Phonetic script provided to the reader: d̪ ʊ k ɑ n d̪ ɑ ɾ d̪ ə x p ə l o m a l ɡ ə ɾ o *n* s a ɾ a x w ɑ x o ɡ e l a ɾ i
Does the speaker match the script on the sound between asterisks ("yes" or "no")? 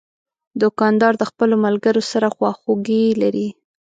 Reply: no